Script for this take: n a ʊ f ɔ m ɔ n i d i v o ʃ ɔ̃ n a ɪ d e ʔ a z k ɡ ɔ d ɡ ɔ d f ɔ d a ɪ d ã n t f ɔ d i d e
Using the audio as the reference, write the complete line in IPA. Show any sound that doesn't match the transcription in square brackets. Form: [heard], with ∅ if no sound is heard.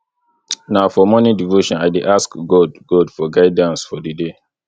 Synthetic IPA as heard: n a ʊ f ɔ m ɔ n i d i v o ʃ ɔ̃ n a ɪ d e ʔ a [s] k ɡ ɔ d ɡ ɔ d f ɔ [ɡ] a ɪ d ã n [s] f ɔ d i d e

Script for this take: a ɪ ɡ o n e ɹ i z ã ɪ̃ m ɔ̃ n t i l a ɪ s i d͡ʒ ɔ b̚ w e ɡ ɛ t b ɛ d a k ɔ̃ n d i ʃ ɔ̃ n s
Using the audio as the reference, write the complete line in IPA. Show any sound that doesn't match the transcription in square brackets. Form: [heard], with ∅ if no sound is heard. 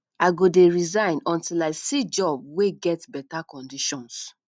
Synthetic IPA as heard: a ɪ ɡ o [d] e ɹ i z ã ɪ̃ [n] ɔ̃ n t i l a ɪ s i d͡ʒ ɔ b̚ w e ɡ ɛ t b ɛ [t] a k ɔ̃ n d i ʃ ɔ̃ n s

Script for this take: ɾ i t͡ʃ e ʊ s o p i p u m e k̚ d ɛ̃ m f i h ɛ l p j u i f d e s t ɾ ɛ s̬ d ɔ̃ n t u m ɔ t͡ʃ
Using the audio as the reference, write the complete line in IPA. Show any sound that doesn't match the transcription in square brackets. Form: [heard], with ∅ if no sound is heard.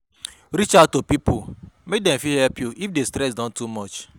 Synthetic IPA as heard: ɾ i t͡ʃ [a] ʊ [t] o p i p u m e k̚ d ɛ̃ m f i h ɛ l p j u i f d e s t ɾ ɛ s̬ d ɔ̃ n t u m ɔ t͡ʃ

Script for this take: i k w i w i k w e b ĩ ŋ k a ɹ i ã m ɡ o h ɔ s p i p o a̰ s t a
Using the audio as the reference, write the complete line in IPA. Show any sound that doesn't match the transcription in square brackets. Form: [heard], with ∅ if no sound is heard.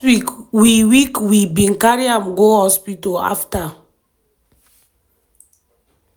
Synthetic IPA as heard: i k w i w i k w [i] b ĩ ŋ k a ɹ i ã m ɡ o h ɔ s p i [t] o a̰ [f] t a

